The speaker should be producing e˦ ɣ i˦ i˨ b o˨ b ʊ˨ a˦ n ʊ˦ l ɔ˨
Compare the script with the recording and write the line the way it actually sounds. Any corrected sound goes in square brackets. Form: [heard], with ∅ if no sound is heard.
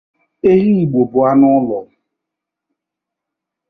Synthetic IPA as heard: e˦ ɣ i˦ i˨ [ɡ͡b] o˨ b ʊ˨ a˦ n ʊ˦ l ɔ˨